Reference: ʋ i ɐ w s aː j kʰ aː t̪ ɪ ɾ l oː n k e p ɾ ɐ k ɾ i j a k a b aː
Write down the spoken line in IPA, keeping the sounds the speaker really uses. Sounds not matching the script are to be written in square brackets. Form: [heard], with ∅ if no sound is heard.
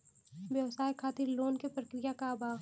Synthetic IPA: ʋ [j] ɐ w s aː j kʰ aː t̪ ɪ ɾ l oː n k e p ɾ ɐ k ɾ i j a k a b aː

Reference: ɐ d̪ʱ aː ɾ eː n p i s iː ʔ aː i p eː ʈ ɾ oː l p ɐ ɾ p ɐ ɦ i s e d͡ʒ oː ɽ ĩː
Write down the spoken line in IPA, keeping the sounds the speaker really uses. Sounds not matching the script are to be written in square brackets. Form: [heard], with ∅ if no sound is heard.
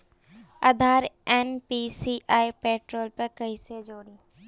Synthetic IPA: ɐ d̪ʱ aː ɾ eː n p i s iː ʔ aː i p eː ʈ ɾ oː l p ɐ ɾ [k] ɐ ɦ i s e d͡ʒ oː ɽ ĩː

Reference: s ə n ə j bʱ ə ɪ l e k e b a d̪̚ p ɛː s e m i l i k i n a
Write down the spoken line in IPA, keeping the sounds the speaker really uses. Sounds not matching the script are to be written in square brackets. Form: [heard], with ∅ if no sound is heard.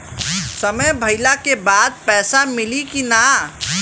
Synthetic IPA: s ə [m] ə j bʱ ə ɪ l [a] k e b a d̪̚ p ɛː s [a] m i l i k i n a

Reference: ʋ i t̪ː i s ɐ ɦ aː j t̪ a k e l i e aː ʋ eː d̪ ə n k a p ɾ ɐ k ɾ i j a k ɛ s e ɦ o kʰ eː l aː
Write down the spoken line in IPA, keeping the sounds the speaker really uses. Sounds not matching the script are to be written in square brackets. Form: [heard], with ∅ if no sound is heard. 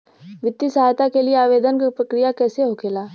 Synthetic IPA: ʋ [ɪ] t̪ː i s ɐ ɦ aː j t̪ a k e l i e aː ʋ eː d̪ ə n k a p ɾ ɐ k ɾ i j a k [ɛː] s e ɦ o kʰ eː l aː

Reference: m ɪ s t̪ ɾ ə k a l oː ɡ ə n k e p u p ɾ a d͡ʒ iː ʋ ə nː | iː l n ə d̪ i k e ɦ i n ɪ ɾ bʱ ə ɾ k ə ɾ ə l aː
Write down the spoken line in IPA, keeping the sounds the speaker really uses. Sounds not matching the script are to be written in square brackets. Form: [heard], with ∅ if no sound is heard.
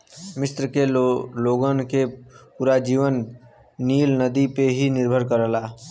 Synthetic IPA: m ɪ s t̪ ɾ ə k [e] l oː ɡ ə n k e p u [∅] ɾ a d͡ʒ iː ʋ ə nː | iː l n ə d̪ i [p] e ɦ i n ɪ ɾ bʱ ə ɾ k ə ɾ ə l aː

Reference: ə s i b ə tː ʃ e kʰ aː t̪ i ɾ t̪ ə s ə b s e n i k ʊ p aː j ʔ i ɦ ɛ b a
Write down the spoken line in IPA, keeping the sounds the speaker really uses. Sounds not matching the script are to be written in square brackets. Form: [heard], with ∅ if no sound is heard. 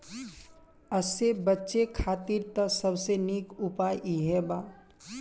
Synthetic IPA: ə s [e] b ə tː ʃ e kʰ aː t̪ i ɾ t̪ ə s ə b s e n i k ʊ p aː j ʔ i ɦ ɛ b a

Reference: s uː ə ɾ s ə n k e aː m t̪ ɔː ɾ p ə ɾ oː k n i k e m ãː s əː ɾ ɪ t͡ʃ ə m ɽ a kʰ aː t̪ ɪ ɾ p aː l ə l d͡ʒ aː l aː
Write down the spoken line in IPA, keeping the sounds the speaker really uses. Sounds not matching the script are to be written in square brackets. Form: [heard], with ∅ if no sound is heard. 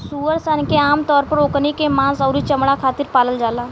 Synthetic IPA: s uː ə ɾ s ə n k e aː m t̪ ɔː ɾ p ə ɾ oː k n i k e m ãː s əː ɾ [i] t͡ʃ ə m ɽ a kʰ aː t̪ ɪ ɾ p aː l ə l d͡ʒ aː l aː

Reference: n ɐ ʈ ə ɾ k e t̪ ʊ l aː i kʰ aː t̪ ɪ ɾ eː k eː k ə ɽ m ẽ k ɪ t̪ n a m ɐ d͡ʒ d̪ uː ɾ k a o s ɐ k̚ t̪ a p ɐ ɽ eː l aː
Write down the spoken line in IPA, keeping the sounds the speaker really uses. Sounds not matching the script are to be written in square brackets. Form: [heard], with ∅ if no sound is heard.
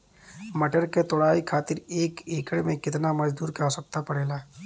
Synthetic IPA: [m] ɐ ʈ ə ɾ k e t̪ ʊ [ɽ] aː i kʰ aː t̪ ɪ ɾ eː k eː k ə ɽ m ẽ k ɪ t̪ n a m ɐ d͡ʒ d̪ uː ɾ k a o s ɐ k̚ t̪ a p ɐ ɽ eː l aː

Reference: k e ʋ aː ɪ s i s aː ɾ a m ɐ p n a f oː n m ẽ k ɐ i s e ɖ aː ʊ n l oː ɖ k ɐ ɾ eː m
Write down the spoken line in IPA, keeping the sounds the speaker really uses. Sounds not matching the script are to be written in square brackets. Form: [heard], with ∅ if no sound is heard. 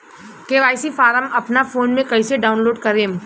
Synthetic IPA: k e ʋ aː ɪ s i [f] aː ɾ [ə] m ɐ p n a f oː n m ẽ k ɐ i s e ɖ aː ʊ n l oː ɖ k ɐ ɾ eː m

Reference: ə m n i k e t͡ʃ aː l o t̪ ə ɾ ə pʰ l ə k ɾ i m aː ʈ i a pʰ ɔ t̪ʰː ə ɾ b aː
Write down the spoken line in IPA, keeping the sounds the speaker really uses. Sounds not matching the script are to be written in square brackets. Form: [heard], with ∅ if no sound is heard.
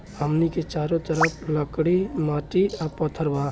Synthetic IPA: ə m n i k e t͡ʃ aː [ɾ] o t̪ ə ɾ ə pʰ l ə k [ɽ] i m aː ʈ i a [p] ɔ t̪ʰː ə ɾ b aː

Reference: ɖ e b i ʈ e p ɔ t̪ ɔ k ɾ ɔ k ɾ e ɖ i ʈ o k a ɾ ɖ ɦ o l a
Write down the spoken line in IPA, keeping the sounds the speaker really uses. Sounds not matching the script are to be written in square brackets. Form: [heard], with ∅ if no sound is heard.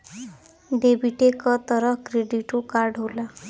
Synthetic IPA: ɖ e b i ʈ e [k] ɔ t̪ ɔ [∅] ɾ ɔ k ɾ e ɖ i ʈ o k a ɾ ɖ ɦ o l a

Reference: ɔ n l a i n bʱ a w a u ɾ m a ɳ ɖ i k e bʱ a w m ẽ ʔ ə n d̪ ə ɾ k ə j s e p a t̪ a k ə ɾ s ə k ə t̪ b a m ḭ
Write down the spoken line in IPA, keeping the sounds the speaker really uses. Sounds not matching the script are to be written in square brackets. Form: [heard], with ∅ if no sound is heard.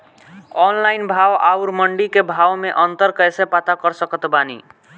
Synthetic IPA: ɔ n l a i n bʱ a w a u ɾ m [ə] ɳ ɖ i k e bʱ a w m [e] ʔ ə n [t̪] ə ɾ k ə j s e p a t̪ a k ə ɾ s ə k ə t̪ b a [n] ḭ

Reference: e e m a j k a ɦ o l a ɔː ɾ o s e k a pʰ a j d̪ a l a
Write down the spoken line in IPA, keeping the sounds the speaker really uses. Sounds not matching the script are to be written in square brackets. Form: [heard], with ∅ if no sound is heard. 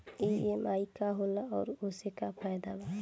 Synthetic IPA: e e m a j k a ɦ o l a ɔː ɾ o s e k a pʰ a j d̪ a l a

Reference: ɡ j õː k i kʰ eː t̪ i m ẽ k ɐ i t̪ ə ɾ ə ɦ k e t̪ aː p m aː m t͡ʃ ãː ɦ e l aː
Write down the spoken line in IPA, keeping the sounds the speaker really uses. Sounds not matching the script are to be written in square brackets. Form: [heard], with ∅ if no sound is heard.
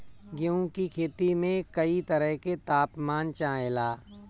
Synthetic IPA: ɡ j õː k i kʰ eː t̪ i m ẽ k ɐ i t̪ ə ɾ ə ɦ k e t̪ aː p m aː [n] t͡ʃ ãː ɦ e l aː

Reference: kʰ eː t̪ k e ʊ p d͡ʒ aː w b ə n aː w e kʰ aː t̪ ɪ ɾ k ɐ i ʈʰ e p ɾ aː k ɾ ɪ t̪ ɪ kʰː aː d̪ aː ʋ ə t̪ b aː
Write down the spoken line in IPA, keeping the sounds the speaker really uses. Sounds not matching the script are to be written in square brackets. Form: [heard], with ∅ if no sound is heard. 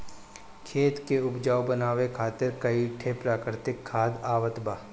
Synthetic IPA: kʰ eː t̪ k e ʊ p d͡ʒ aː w b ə n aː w e kʰ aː t̪ ɪ ɾ k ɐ i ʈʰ e p ɾ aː k ɾ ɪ t̪ ɪ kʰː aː d̪ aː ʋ ə t̪ b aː

